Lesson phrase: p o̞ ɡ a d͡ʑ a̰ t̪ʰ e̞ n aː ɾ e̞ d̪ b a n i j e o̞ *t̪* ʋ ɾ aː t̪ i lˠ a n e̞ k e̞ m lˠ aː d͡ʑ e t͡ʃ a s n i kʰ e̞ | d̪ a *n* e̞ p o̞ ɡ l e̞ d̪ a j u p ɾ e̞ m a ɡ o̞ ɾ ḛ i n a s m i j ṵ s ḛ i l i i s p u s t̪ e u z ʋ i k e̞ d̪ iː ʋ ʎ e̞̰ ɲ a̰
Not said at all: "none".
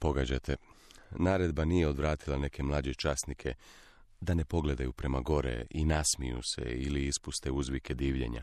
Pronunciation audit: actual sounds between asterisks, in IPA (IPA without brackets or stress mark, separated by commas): d̪, n